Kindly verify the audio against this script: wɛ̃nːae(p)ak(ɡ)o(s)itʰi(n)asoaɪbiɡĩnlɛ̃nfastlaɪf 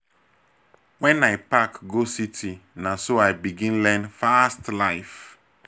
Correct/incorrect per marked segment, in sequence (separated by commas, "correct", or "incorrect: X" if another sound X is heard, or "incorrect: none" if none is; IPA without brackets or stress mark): correct, correct, correct, correct